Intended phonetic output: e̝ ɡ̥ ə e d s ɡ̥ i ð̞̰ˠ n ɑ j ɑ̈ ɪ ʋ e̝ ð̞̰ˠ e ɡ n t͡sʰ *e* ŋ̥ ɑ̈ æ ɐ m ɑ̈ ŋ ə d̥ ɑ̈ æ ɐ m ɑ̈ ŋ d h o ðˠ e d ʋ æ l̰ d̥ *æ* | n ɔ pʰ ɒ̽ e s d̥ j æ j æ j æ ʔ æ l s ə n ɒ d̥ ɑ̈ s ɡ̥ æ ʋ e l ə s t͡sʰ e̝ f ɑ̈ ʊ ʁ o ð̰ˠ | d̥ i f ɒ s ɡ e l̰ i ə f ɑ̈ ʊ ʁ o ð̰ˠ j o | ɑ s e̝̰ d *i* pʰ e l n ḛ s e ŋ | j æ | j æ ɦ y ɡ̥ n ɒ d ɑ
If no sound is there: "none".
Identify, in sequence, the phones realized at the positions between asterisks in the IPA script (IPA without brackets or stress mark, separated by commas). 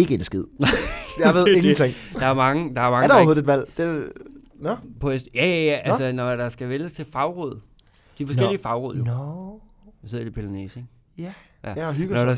e, e, i